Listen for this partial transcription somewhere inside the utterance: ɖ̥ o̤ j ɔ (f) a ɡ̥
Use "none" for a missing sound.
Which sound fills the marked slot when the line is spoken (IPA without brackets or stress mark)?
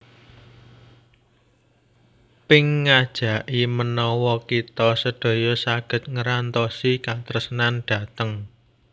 s